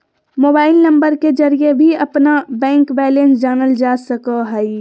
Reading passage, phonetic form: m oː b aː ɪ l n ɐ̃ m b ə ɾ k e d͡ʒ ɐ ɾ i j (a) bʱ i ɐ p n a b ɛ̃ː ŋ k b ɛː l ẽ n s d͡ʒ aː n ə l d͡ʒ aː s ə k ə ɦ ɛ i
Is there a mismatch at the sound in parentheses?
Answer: yes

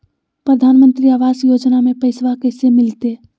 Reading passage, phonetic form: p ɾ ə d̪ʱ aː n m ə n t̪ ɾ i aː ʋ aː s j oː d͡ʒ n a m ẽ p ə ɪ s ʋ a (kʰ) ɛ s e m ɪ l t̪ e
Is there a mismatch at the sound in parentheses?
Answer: yes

